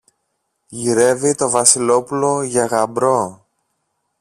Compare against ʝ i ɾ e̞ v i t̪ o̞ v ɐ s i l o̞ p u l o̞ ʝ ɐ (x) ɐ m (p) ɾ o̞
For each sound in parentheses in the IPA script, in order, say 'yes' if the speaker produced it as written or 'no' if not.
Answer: no, no

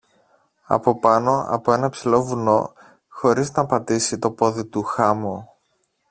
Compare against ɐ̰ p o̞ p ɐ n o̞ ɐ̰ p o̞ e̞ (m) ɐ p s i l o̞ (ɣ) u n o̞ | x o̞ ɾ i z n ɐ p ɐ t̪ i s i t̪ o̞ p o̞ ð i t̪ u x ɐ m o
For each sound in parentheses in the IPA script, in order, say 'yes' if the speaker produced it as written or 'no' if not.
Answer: no, no

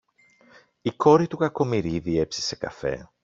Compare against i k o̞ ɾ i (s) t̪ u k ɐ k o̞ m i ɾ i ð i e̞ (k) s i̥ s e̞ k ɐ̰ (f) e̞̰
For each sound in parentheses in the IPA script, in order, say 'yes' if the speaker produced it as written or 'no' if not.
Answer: no, no, yes

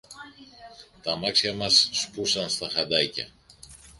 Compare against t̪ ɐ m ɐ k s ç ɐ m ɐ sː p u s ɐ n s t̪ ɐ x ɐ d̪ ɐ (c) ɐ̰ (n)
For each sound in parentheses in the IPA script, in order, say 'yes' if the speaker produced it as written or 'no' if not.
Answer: yes, no

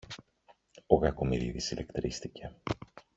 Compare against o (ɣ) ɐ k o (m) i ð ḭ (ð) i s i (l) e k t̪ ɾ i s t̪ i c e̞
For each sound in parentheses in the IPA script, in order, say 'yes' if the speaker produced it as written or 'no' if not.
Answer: yes, yes, yes, yes

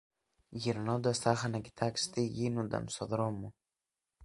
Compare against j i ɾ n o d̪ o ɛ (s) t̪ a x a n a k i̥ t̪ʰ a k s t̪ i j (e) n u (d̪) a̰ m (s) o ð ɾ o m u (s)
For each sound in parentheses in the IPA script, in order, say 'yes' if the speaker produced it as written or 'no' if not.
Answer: yes, no, yes, yes, no

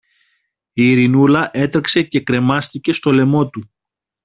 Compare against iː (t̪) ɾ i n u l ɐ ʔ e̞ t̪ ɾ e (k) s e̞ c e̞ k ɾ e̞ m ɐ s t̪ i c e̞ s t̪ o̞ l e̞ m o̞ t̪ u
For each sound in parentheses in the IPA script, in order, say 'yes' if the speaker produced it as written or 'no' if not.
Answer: no, yes

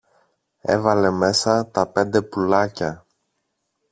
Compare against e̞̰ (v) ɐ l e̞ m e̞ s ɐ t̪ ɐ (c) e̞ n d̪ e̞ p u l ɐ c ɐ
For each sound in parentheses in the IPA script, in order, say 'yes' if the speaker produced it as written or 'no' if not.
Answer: yes, no

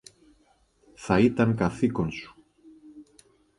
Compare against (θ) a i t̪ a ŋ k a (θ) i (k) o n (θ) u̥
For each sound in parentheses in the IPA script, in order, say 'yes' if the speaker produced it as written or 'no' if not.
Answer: yes, yes, yes, no

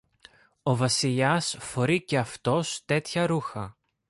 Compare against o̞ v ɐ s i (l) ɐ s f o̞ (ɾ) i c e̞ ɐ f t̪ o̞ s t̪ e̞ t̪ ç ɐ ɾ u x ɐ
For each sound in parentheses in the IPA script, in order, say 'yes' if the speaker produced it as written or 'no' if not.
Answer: no, yes

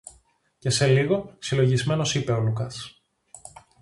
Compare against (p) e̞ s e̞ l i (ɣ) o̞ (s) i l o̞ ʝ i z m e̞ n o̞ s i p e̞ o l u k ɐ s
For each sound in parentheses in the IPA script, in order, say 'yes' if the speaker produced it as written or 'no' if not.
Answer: no, yes, yes

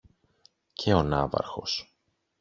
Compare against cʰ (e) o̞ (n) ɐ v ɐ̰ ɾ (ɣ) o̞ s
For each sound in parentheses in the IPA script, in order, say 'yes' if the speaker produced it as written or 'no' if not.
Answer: yes, yes, no

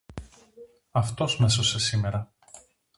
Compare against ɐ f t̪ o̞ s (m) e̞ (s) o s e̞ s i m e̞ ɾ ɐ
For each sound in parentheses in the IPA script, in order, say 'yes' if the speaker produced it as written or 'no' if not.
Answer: yes, yes

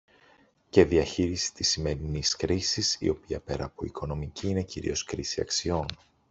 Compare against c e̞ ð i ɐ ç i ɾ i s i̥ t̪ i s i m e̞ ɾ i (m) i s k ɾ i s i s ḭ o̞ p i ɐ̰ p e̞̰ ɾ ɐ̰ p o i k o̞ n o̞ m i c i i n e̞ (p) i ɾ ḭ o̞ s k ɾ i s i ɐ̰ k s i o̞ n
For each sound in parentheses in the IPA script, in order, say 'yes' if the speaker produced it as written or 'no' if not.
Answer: no, no

